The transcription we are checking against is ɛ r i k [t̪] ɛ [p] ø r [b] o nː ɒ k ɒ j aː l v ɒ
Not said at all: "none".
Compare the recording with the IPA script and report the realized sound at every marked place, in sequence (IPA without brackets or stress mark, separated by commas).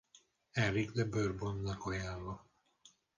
d̪, b, b